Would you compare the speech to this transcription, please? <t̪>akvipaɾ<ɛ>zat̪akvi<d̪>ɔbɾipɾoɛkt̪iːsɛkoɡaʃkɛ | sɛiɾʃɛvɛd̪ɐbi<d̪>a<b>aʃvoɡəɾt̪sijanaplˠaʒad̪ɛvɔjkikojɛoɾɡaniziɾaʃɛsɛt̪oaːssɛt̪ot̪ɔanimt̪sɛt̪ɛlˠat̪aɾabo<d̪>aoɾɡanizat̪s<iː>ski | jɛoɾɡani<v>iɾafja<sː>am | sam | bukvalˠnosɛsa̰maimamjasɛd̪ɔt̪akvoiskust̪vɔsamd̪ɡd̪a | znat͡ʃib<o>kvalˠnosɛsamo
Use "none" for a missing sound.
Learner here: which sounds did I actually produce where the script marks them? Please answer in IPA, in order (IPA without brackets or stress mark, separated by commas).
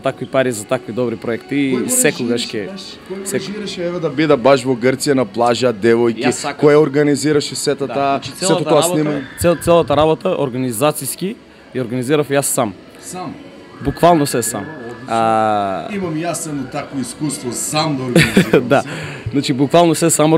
t̪, i, d̪, d̪, b, t̪, i, z, sː, u